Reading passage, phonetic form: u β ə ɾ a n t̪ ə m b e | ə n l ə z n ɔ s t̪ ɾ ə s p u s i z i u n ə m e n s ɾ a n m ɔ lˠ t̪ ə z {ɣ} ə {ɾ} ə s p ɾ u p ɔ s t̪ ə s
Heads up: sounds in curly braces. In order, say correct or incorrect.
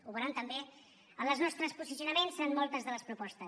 incorrect: ð, incorrect: l

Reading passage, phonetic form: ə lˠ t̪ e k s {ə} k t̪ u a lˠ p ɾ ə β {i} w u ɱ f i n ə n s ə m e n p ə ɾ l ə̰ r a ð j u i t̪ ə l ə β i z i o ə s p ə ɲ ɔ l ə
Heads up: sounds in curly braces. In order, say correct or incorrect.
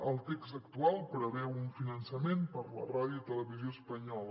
correct, incorrect: ɛ

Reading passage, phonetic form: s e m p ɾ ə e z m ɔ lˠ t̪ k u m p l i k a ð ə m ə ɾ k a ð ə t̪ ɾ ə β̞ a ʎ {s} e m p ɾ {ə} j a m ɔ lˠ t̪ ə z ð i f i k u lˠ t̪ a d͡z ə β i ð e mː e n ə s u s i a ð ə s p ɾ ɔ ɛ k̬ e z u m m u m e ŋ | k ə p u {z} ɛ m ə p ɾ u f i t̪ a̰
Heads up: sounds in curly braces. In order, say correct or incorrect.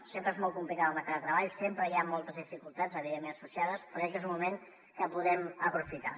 correct, correct, incorrect: ð

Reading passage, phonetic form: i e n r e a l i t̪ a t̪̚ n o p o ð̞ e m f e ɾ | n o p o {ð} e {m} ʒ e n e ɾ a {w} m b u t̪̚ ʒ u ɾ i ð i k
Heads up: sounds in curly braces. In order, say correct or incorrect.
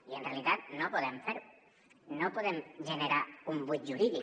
correct, correct, incorrect: u

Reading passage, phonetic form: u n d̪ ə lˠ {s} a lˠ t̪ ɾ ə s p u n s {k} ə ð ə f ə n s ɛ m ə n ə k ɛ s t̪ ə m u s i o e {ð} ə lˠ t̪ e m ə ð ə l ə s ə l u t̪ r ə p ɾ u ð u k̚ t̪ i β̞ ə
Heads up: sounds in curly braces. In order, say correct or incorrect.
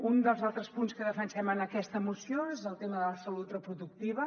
incorrect: z, correct, incorrect: z

